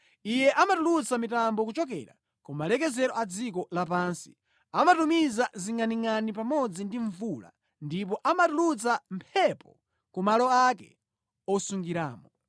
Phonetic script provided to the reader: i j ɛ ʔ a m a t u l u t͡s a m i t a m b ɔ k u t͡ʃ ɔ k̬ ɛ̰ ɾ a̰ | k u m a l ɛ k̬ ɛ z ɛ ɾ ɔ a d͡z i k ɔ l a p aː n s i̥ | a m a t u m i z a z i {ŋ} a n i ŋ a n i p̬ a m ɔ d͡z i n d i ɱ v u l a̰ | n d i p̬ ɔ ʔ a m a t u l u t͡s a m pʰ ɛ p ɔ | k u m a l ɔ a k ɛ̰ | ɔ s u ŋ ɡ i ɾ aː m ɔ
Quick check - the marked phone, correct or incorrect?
correct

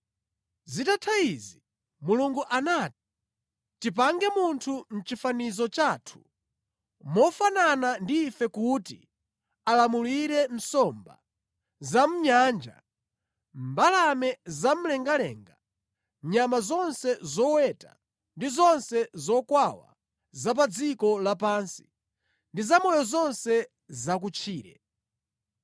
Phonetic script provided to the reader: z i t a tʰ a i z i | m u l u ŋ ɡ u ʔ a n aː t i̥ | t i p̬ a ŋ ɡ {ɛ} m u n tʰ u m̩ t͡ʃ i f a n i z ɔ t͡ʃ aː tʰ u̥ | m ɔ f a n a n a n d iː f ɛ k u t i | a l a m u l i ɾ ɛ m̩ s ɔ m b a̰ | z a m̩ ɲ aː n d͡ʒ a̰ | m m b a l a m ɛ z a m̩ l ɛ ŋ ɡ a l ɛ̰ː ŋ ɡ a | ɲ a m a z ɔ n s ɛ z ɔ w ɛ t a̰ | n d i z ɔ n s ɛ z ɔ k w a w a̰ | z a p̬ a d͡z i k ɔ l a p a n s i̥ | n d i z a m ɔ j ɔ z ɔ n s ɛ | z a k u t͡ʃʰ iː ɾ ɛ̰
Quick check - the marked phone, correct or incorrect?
correct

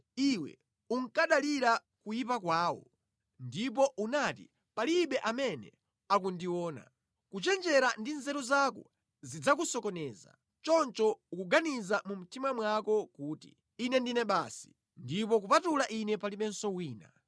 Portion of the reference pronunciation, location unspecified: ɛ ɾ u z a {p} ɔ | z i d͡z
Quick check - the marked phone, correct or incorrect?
incorrect: k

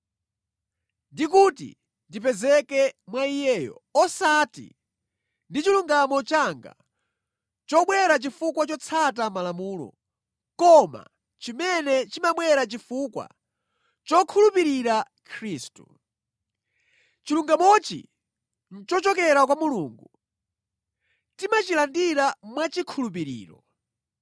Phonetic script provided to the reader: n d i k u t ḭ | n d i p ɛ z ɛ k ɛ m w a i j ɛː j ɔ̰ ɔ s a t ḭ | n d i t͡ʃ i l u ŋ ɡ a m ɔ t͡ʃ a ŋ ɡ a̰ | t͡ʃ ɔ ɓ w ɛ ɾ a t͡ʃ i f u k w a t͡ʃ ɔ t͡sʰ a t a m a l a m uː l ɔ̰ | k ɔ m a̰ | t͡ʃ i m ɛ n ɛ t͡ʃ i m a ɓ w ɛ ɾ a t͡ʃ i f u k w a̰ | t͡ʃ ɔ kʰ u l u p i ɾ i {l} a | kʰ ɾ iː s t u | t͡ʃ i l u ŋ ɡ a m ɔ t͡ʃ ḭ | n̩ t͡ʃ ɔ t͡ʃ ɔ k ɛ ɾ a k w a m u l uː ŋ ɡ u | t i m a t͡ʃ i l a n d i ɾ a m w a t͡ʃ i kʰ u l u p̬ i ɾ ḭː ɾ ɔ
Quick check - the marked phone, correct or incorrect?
incorrect: ɾ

